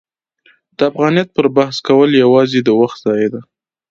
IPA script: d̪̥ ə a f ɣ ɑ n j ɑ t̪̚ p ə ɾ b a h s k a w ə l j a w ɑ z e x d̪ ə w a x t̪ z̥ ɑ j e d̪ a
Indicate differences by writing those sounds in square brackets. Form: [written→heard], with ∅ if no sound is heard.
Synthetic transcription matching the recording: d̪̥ ə a f ɣ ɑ n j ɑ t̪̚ p ə ɾ b a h s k a w ə l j a w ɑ z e [x→∅] d̪ ə w a x t̪ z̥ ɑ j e d̪ a